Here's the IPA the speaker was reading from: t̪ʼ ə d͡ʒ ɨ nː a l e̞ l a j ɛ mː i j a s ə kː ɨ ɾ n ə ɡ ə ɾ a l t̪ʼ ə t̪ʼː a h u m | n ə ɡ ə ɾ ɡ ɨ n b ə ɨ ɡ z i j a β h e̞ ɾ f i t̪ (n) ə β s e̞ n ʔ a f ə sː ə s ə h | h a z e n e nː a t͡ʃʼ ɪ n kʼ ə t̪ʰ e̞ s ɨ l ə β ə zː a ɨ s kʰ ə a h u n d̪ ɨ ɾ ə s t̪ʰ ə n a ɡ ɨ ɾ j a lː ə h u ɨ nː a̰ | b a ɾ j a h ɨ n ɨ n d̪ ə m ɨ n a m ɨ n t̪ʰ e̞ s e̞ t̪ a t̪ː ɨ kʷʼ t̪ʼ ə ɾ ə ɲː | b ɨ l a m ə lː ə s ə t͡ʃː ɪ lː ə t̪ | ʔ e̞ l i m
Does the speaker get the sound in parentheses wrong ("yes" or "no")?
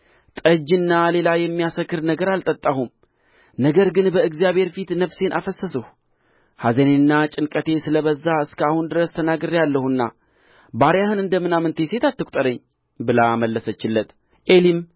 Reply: no